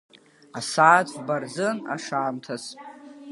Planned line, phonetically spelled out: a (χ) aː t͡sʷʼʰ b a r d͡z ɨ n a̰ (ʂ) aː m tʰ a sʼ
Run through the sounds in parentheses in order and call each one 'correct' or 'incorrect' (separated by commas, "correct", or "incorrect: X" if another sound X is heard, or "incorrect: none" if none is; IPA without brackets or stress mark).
incorrect: s, correct